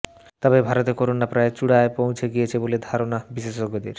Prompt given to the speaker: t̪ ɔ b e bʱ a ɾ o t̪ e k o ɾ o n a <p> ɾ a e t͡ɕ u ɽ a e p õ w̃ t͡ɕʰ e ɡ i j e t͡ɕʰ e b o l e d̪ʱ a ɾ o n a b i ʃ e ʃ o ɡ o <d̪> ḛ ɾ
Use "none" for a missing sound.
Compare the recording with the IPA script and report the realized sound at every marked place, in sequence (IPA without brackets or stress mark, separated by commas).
p, d̪